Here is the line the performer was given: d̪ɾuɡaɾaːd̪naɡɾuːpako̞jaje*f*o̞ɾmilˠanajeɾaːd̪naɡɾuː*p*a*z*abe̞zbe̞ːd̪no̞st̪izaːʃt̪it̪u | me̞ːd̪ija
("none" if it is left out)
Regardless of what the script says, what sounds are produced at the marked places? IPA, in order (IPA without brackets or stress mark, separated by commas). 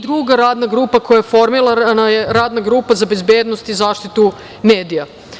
f, p, z